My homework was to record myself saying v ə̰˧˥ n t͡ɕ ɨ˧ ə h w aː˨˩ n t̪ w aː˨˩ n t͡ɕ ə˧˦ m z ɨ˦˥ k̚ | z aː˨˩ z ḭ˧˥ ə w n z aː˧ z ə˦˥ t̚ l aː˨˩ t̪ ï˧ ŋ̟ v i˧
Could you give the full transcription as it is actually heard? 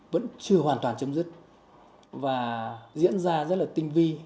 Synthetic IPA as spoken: v ə̰˧˥ n t͡ɕ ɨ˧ ə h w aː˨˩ n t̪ w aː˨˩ n t͡ɕ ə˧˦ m z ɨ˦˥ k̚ | v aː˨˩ z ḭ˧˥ ə n z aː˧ z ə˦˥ t̚ l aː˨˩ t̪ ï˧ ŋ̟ v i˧